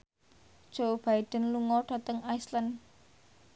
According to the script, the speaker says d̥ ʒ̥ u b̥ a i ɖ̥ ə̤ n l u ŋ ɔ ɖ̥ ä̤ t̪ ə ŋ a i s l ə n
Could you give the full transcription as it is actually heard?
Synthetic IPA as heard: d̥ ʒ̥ o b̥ a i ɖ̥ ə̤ n l u ŋ ɔ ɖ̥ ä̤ t̪ ə ŋ a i s l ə n